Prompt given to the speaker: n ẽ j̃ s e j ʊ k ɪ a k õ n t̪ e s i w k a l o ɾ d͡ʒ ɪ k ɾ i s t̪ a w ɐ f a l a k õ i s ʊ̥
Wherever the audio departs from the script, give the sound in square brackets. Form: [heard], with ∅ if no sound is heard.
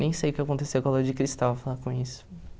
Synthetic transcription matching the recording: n ẽ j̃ s e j ʊ k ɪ a k õ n t̪ e s [e] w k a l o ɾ d͡ʒ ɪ k ɾ i s t̪ a w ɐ f a l a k õ i s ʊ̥